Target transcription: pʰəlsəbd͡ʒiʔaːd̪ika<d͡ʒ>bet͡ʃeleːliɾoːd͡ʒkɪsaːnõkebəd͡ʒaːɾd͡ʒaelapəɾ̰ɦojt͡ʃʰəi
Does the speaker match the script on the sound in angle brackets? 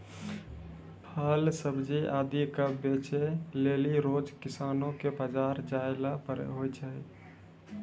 no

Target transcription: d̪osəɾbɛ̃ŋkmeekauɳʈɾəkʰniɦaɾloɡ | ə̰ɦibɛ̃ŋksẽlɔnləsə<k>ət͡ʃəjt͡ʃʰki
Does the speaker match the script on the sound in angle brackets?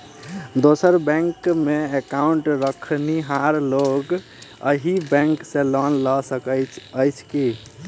yes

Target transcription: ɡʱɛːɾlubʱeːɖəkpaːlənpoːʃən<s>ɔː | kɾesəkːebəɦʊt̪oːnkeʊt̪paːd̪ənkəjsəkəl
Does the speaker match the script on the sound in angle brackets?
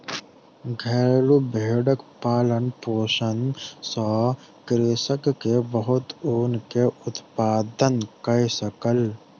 yes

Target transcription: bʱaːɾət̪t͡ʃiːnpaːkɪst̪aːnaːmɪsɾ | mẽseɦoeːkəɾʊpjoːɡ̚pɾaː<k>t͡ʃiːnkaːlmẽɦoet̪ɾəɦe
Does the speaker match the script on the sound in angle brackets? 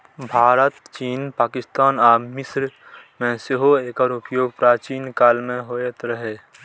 no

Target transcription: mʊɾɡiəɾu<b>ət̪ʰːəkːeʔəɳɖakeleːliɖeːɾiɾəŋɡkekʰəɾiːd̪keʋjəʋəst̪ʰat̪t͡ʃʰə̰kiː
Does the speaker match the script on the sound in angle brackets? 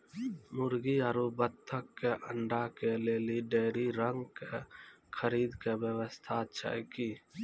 yes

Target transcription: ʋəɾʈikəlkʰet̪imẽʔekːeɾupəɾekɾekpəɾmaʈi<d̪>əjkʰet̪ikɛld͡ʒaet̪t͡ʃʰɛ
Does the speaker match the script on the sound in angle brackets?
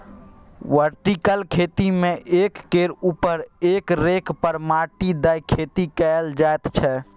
yes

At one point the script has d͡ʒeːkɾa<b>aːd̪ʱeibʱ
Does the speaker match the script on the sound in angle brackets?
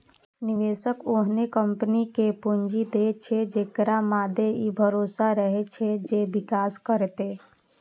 no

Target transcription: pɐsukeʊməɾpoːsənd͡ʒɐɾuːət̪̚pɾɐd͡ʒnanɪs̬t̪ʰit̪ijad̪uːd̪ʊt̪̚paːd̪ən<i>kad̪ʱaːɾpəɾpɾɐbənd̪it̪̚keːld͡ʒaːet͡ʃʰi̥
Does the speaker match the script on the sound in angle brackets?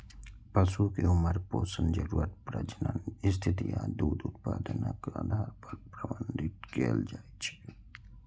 no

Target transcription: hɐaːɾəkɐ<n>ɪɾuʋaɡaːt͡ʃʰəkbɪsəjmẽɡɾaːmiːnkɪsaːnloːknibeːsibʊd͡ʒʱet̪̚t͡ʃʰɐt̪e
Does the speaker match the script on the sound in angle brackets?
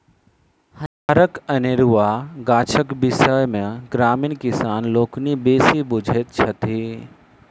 yes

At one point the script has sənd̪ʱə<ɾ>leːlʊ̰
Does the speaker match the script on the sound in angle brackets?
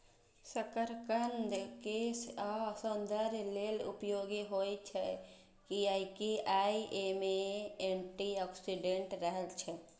yes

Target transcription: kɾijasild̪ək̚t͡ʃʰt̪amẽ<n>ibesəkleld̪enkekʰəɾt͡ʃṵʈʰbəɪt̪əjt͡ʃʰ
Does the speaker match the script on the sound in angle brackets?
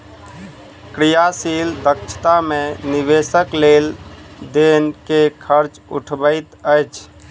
yes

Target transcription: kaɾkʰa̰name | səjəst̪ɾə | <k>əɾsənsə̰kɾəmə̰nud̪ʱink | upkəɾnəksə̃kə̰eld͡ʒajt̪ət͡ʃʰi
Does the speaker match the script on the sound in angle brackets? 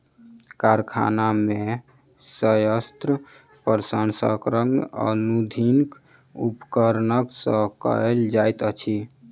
no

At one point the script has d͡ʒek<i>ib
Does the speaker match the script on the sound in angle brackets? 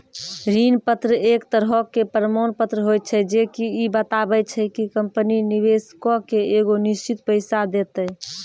yes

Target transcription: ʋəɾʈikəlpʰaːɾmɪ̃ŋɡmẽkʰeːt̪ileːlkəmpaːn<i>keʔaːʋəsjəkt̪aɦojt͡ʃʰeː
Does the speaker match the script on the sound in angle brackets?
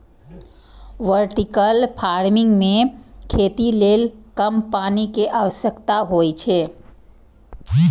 yes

